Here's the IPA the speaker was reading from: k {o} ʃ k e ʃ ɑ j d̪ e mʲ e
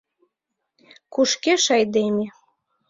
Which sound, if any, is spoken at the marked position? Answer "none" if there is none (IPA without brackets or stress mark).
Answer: u